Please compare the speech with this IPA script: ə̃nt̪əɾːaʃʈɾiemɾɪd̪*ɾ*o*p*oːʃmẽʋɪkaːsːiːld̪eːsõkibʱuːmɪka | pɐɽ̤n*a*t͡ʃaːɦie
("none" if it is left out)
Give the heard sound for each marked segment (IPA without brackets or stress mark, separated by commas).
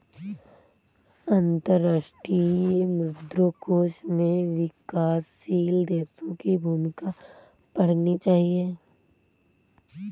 ɾ, k, i